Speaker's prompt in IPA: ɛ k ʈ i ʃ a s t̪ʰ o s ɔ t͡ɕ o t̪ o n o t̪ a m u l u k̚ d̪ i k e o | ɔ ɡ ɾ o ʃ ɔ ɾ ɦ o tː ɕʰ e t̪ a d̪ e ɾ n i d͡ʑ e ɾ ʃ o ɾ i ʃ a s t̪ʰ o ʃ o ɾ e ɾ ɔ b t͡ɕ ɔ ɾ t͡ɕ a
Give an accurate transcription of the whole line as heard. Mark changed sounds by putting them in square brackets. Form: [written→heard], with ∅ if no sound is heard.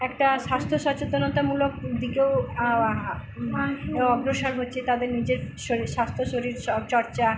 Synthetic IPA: ɛ k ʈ [i→a] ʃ a s t̪ʰ o [s→ʃ] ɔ t͡ɕ o t̪ o n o t̪ a m u l [u→o] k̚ d̪ i k e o | ɔ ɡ ɾ o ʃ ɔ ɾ ɦ o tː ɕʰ e t̪ a d̪ e ɾ n i d͡ʑ e ɾ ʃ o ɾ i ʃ a s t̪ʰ o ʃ o ɾ [e→i] ɾ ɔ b t͡ɕ ɔ ɾ t͡ɕ a

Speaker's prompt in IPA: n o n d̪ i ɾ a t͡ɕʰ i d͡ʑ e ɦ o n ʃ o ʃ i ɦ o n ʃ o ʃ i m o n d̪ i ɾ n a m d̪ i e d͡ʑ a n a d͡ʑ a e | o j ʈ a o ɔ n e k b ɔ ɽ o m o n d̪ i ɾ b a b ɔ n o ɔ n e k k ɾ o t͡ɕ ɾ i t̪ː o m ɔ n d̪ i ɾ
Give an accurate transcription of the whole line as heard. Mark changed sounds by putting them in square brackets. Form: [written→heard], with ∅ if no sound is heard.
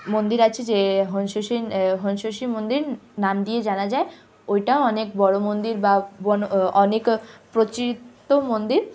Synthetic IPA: [n→m] o n d̪ i ɾ a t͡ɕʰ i d͡ʑ e ɦ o n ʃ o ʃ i ɦ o n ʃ o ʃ i m o n d̪ i ɾ n a m d̪ i e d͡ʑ a n a d͡ʑ a e | o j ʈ a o ɔ n e k b ɔ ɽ o m o n d̪ i ɾ b a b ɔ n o ɔ n e k [k→p] ɾ o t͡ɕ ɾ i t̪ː o m [ɔ→o] n d̪ i ɾ

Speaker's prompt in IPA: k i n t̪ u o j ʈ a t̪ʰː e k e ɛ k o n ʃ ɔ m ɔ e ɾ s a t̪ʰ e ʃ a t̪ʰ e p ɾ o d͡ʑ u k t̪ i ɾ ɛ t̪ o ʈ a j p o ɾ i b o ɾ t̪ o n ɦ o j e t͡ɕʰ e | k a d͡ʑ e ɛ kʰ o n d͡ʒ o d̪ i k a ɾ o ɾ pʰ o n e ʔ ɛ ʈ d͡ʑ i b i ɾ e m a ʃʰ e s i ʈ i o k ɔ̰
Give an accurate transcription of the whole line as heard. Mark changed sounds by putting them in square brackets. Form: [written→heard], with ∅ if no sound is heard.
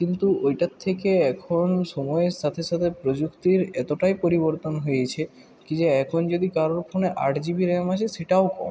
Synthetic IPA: k i n t̪ u o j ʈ a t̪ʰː e k e ɛ [k→kʰ] o n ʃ ɔ m ɔ e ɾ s a t̪ʰ e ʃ a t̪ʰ e p ɾ o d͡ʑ u k t̪ i ɾ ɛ t̪ o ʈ a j p o ɾ i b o ɾ t̪ o n ɦ o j e t͡ɕʰ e | k [a→i] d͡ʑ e ɛ kʰ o n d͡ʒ o d̪ i k a ɾ o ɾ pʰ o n e ʔ [ɛ→a] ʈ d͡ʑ i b i ɾ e m a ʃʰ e s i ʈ [i→a] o k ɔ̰

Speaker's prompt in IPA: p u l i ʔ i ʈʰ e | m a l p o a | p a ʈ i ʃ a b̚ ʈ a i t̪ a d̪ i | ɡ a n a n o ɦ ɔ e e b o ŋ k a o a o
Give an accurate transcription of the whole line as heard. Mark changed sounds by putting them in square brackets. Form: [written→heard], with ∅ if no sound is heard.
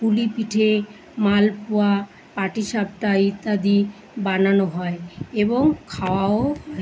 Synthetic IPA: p u l i [ʔ→p] i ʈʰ e | m a l p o a | p a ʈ i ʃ a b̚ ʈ a i t̪ a d̪ i | [ɡ→b] a n a n o ɦ ɔ e e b o ŋ [k→kʰ] a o a o

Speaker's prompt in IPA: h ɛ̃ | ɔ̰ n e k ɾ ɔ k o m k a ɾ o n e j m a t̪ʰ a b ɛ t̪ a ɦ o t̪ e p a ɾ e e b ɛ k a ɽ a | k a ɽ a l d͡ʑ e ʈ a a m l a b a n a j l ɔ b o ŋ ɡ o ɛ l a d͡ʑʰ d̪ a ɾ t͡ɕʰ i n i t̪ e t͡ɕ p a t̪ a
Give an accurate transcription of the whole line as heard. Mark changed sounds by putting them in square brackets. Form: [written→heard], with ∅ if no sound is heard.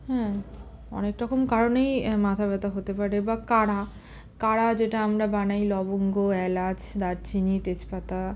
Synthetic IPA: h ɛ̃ | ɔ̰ n e k ɾ ɔ k o m k a ɾ o n e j m a t̪ʰ a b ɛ t̪ a ɦ o t̪ e p a ɾ e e b [ɛ→a] k a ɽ a | k a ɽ a [l→∅] d͡ʑ e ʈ a a m [l→ɾ] a b a n a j l ɔ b o ŋ ɡ o ɛ l a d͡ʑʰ d̪ a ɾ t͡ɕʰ i n i t̪ e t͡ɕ p a t̪ a

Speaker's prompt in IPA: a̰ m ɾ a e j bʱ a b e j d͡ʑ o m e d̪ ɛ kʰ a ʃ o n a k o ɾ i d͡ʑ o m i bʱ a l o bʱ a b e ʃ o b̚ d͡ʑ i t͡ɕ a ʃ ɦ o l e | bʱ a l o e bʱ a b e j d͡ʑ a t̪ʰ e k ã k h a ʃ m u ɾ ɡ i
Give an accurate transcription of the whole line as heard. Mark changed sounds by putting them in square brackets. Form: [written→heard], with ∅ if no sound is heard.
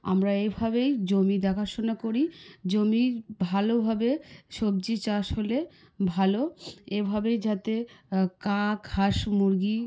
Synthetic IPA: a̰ m ɾ a e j bʱ a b e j d͡ʑ o m [e→i] d̪ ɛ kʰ a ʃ o n a k o ɾ i d͡ʑ o m i bʱ a l o bʱ a b e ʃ o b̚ d͡ʑ i t͡ɕ a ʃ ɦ o l e | bʱ a l o e bʱ a b e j d͡ʑ a [t̪ʰ→t̪] e k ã k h a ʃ m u ɾ ɡ i

